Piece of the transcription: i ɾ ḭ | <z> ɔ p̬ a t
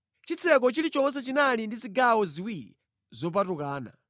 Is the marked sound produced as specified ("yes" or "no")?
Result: yes